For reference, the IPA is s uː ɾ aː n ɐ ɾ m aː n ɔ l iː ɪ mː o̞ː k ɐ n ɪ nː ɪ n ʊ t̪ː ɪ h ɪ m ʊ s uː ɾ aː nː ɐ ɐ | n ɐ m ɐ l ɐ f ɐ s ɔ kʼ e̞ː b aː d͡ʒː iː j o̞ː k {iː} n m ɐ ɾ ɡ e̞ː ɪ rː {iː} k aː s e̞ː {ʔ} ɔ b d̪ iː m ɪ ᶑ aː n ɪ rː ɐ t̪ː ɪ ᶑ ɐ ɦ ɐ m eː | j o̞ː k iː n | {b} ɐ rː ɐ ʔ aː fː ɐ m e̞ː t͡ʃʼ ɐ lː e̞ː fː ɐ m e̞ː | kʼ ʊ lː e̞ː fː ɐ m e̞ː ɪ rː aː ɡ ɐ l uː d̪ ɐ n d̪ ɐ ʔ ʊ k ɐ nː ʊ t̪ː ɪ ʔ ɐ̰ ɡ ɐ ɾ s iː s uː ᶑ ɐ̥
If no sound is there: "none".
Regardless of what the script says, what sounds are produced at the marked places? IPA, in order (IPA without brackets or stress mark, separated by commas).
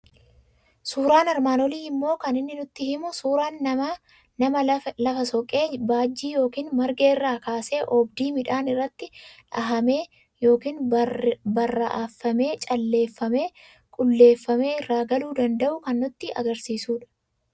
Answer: iː, aː, ʔ, b